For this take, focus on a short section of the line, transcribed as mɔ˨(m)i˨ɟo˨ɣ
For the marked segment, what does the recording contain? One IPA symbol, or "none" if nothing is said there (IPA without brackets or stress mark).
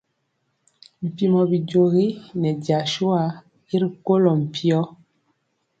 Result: b